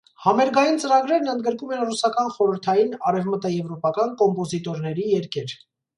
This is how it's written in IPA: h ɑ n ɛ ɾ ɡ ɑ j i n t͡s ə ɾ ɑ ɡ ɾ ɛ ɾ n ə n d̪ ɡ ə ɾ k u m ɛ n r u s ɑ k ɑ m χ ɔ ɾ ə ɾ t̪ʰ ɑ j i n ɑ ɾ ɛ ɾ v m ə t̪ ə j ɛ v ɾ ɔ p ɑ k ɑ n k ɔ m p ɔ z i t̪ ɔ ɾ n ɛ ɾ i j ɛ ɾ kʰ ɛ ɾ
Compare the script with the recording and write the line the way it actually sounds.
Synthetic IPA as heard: h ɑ m ɛ ɾ ɡ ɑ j i n t͡s ə ɾ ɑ ɡ ɾ ɛ ɾ n ə n d̪ ɡ ə ɾ k u m ɛ n r u s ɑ k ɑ n χ ɔ ɾ ə ɾ t̪ʰ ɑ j i n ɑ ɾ ɛ v m ə t̪ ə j ɛ v ɾ ɔ p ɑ k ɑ n k ɔ m p ɔ z i t̪ ɔ ɾ n ɛ ɾ i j ɛ ɾ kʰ ɛ ɾ

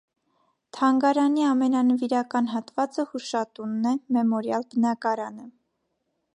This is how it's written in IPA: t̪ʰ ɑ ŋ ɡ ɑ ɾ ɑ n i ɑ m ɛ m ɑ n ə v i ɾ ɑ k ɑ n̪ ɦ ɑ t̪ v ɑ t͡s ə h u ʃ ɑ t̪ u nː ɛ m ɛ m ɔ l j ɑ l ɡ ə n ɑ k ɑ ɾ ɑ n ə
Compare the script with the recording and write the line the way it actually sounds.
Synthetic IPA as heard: t̪ʰ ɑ ŋ ɡ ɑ ɾ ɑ n i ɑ m ɛ n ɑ n ə v i ɾ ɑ k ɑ n̪ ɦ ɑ t̪ v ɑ t͡s ə h u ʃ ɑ t̪ u nː ɛ m ɛ m ɔ ɾ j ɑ l b ə n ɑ k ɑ ɾ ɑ n ə

